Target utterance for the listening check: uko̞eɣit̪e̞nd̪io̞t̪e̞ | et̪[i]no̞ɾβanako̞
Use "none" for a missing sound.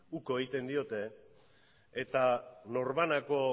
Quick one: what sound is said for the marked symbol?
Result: a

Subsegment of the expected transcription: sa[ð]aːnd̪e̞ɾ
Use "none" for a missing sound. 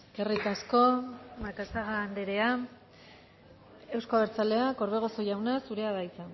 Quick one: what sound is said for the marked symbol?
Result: ɣ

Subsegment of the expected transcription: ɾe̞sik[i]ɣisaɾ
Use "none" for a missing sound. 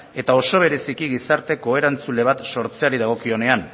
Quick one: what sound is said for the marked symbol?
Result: i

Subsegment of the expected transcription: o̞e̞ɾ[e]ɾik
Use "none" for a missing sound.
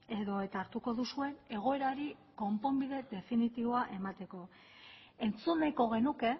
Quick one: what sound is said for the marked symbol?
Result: a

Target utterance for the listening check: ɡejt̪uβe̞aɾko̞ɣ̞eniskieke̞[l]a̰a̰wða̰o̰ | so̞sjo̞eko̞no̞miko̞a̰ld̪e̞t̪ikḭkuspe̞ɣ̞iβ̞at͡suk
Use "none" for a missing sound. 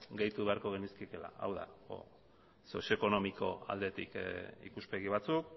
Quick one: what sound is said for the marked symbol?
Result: l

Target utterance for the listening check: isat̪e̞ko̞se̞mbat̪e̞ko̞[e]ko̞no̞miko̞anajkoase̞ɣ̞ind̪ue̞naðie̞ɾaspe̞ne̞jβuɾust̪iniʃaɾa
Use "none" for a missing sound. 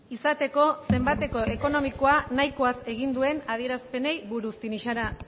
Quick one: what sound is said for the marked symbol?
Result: e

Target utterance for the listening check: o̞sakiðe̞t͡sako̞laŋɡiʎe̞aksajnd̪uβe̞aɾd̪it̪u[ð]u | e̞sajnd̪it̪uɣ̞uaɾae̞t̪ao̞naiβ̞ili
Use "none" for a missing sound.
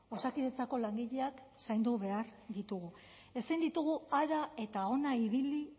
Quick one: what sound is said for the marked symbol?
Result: ɣ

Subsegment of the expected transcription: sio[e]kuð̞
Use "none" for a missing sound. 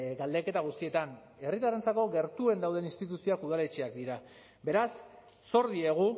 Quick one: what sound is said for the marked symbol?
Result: a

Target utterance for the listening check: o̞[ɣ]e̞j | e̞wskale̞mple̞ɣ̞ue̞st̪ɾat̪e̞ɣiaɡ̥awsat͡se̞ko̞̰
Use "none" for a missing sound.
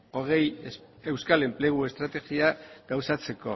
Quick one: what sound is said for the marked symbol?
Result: ɣ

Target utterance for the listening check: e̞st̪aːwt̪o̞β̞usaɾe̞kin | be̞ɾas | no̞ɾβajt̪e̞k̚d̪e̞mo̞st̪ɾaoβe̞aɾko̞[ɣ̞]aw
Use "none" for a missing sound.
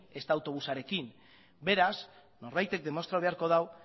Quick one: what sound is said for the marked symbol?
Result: ð̞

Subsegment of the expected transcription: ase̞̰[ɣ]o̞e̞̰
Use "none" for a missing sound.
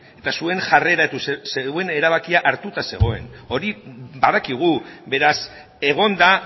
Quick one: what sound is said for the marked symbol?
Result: ɣ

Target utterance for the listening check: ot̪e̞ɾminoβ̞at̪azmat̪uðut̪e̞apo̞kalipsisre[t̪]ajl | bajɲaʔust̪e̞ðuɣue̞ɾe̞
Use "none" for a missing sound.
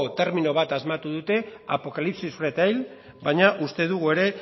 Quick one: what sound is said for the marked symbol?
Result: t̪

